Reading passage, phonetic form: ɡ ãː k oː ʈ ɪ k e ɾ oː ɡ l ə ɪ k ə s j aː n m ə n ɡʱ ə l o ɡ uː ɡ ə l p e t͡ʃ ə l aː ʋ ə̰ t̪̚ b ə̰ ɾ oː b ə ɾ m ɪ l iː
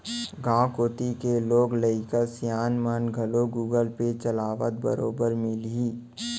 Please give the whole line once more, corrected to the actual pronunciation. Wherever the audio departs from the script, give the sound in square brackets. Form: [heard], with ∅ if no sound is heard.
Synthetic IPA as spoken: ɡ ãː k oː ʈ [i] k e [l] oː ɡ l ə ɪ k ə s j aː n m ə n ɡʱ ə l o ɡ uː ɡ ə l p e t͡ʃ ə l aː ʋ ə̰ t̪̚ b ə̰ ɾ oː b ə ɾ m ɪ l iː